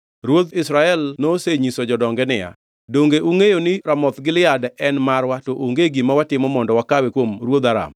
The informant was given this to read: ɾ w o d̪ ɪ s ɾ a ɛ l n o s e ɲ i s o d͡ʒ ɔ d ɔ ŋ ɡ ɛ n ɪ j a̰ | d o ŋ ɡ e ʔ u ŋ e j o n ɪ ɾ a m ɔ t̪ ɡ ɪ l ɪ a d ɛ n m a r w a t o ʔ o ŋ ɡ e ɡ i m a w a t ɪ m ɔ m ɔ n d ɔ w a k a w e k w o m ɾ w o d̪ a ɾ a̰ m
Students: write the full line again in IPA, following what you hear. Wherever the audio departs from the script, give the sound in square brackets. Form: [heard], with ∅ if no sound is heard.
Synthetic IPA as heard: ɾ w o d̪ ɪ s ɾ a ɛ l n o s e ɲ i s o d͡ʒ ɔ d ɔ ŋ ɡ ɛ n ɪ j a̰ | d o ŋ ɡ e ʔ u ŋ e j o n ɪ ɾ a m ɔ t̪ ɡ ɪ l ɪ a d ɛ n m a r w a t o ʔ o ŋ ɡ e ɡ i m a w a t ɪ m ɔ m ɔ n d ɔ w a k a w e k w o m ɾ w o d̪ a ɾ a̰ m